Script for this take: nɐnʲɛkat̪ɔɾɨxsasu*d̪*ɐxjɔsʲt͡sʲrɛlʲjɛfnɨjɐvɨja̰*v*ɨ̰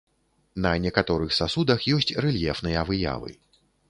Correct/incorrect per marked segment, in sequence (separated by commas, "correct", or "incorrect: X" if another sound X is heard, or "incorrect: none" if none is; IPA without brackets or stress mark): correct, correct